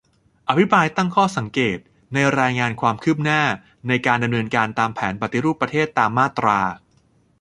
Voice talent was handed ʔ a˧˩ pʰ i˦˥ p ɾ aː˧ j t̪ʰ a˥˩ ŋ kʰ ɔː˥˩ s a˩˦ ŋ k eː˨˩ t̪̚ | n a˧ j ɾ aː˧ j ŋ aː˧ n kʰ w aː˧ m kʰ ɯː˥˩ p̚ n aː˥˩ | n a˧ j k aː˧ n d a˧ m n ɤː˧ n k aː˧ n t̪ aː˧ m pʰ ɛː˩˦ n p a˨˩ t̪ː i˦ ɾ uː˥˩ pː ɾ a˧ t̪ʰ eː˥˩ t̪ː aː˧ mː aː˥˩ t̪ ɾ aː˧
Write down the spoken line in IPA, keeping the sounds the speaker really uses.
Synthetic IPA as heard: ʔ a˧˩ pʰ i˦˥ p ɾ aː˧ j t̪ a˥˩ ŋ kʰ ɔː˥˩ s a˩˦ ŋ k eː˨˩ t̪̚ | n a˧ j ɾ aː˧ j ŋ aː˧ n kʰ w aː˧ m kʰ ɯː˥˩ p̚ n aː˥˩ | n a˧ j k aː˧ n d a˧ m n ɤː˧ n k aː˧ n t̪ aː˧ m pʰ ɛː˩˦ n p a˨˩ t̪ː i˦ ɾ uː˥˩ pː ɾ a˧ t̪ʰ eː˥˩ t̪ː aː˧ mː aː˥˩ t̪ ɾ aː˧